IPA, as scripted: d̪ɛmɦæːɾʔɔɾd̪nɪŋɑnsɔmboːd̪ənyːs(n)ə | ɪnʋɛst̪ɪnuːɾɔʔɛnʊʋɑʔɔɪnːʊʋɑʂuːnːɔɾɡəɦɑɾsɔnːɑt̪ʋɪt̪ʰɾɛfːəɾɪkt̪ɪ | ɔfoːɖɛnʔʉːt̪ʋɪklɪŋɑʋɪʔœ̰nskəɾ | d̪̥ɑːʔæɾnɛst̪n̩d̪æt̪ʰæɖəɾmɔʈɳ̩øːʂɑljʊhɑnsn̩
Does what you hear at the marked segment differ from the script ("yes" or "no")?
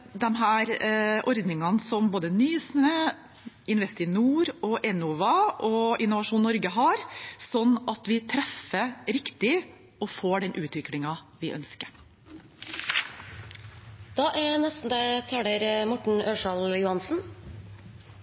no